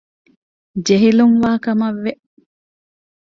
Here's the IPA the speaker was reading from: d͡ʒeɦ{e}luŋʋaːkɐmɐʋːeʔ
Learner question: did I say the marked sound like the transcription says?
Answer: no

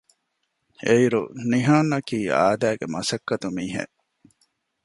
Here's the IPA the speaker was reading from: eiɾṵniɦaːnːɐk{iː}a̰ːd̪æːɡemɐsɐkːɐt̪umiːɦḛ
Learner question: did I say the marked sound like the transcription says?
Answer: yes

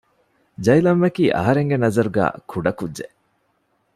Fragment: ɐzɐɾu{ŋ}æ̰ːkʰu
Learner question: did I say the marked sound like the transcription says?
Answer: no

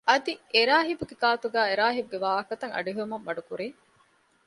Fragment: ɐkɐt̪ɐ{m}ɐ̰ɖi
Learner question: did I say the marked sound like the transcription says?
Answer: no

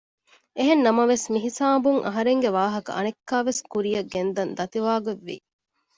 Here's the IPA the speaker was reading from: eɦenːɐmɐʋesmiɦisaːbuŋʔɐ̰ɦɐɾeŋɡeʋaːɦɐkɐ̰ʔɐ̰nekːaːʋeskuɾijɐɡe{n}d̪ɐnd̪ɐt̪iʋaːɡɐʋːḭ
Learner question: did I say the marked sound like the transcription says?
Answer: yes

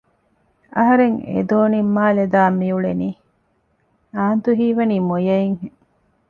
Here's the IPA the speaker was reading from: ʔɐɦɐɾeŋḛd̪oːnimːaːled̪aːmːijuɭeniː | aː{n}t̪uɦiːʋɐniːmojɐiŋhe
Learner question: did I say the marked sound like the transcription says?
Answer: yes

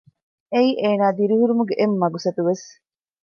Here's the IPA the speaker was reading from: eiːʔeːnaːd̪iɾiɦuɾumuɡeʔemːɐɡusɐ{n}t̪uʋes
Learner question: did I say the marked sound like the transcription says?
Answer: no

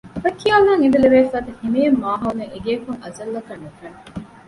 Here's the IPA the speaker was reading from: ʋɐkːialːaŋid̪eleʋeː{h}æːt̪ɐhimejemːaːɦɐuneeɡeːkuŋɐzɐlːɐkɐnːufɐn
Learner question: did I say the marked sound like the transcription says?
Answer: no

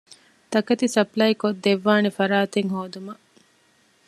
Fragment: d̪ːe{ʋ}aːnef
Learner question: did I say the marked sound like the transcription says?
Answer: no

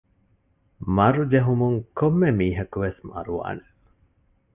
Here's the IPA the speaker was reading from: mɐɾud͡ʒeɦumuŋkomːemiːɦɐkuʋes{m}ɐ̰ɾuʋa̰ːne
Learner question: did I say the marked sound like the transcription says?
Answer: yes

